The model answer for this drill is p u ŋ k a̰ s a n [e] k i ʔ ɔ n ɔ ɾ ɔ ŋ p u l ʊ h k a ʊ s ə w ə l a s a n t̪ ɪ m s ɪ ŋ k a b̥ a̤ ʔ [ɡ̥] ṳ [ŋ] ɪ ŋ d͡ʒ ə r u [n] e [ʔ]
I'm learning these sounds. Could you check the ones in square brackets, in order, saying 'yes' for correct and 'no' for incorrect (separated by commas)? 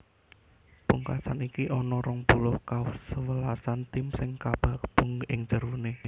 no, no, yes, yes, no